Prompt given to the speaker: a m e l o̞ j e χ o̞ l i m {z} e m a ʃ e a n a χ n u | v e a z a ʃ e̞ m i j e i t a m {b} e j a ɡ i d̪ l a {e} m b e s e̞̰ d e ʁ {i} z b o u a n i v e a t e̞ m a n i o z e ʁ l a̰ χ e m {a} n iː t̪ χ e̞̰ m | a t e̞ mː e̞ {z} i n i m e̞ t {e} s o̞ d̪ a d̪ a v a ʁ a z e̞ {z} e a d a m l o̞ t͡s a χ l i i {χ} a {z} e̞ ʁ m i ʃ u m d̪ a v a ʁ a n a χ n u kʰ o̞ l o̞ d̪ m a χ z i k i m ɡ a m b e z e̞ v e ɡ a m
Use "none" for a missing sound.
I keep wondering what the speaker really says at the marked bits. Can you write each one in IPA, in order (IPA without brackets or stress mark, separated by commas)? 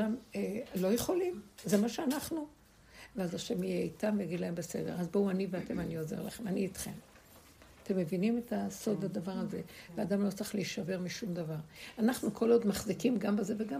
z, v, e, a, a, v, a, v, ʃ, v